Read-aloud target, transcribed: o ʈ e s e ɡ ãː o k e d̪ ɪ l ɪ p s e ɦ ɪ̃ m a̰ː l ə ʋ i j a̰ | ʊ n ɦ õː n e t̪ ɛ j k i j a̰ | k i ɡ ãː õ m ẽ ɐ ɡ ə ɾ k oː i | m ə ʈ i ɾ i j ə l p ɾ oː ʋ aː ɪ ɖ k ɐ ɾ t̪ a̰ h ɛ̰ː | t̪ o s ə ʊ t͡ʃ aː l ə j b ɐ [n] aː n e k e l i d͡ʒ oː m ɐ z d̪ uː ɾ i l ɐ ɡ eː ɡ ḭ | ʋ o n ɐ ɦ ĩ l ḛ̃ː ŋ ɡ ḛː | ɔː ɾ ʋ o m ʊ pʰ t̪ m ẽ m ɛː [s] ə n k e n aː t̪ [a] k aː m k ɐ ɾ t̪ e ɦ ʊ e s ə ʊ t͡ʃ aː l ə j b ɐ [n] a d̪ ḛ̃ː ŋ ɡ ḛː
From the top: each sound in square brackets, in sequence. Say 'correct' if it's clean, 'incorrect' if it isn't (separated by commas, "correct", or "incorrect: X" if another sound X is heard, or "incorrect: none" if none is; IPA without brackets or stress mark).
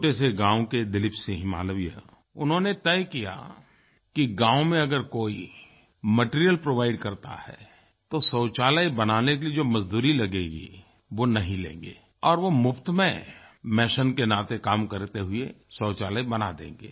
correct, incorrect: ʃ, incorrect: e, correct